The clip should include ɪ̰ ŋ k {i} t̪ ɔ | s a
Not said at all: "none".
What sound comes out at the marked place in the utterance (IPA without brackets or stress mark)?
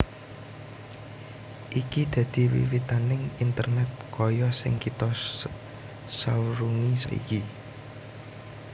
i